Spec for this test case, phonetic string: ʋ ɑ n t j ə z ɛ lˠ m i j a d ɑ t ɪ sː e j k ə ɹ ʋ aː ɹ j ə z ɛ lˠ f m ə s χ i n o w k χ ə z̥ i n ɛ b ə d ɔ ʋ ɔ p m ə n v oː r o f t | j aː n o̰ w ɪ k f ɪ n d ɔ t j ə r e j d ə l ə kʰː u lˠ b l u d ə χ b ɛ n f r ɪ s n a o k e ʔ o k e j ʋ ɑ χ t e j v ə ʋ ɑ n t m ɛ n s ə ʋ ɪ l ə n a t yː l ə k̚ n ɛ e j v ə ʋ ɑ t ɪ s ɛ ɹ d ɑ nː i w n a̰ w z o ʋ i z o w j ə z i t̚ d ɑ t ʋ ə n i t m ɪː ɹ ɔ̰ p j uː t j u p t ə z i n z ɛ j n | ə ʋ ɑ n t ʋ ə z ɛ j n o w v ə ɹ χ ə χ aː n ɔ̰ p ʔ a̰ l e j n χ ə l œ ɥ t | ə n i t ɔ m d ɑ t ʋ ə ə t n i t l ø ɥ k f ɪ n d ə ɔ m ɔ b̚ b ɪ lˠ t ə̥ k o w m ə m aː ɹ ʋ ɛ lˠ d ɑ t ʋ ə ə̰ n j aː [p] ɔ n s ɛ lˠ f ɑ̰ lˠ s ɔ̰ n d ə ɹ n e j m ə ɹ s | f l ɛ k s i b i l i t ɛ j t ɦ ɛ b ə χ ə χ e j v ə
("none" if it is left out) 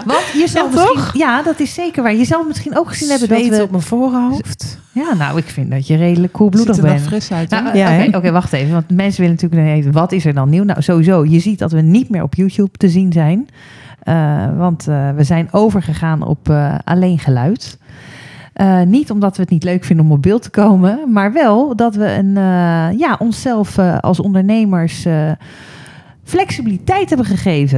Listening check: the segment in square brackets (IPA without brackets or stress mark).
ʔ